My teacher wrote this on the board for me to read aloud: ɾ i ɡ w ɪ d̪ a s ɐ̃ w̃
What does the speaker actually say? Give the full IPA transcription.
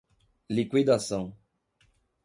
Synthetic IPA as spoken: l i k w i d̪ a s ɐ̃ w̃